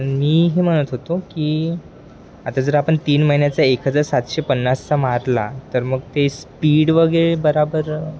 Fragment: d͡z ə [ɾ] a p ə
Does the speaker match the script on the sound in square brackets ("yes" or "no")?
yes